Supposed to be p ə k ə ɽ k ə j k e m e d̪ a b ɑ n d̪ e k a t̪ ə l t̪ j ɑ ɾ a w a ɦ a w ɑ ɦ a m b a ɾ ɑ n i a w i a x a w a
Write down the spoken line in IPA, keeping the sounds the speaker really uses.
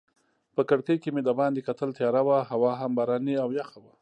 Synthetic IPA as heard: p ə k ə ɽ k ə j k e m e d̪ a b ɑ n d̪ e k a t̪ ə l t̪ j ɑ ɾ a w a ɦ a w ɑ ɦ a m b a ɾ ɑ n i a w j a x a w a